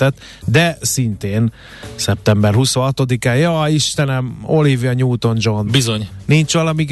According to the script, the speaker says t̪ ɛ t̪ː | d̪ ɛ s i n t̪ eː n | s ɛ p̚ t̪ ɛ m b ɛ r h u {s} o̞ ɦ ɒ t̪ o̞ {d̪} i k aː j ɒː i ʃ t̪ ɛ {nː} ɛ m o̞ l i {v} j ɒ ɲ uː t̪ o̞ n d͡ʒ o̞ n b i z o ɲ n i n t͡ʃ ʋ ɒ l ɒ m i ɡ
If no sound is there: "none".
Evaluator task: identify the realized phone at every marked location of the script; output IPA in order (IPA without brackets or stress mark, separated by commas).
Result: s, d̪, n, v